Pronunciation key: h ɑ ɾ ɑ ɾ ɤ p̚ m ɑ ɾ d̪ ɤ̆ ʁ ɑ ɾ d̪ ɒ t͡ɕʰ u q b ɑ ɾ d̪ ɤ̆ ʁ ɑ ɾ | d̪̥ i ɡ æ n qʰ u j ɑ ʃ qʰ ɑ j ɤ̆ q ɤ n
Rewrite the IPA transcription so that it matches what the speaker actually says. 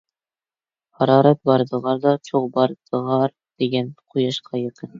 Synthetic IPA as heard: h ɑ ɾ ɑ ɾ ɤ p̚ b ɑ ɾ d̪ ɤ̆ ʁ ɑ ɾ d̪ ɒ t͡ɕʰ u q b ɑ ɾ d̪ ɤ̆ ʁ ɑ ɾ | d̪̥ i ɡ æ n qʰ u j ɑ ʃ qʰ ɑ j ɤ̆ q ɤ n